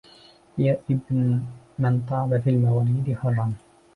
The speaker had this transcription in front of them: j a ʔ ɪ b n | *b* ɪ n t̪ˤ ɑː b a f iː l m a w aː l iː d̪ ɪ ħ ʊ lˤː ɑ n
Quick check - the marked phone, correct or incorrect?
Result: incorrect